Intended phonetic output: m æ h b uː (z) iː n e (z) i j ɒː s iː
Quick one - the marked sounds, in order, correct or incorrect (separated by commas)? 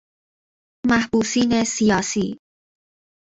incorrect, incorrect